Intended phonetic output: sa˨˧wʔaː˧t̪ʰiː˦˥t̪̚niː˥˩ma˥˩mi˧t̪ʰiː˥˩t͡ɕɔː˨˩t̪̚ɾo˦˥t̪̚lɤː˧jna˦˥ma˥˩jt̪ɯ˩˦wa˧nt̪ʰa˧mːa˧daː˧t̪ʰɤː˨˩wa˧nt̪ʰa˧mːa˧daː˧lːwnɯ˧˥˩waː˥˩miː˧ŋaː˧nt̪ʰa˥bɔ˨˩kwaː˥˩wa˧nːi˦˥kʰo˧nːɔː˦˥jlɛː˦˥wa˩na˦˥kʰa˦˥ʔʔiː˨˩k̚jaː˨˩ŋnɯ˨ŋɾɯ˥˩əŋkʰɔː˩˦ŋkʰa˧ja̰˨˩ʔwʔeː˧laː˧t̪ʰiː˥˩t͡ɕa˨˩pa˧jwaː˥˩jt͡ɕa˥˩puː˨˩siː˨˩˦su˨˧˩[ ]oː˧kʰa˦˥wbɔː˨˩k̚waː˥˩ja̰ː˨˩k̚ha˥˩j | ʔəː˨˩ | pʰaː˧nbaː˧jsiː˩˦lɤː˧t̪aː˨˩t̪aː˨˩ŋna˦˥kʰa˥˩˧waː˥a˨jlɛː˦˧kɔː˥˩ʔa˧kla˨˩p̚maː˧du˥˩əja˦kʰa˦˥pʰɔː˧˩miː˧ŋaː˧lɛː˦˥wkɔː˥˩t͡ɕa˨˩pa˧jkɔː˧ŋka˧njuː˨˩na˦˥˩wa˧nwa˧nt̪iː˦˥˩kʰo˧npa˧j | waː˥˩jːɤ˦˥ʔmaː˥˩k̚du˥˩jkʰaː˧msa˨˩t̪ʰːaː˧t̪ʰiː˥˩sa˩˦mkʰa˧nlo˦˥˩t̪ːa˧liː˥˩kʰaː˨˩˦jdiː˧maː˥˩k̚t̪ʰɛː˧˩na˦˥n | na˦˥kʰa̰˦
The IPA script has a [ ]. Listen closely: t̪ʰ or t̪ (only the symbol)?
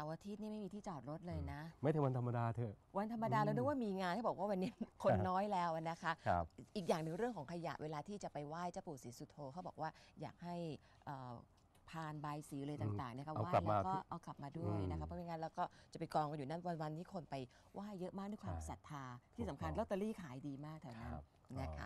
t̪ʰ